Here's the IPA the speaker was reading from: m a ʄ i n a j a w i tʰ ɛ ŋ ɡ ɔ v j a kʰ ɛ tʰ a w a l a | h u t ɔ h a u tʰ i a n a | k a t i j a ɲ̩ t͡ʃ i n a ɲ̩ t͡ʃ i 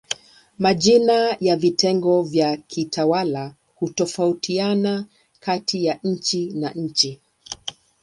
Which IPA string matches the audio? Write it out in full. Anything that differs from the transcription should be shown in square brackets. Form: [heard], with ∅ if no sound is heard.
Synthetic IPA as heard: m a ʄ i n a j a [v] i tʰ ɛ ŋ ɡ ɔ v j a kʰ [i] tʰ a w a l a | h u t ɔ [f] a u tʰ i a n a | k a t i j a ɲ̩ t͡ʃ i n a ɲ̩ t͡ʃ i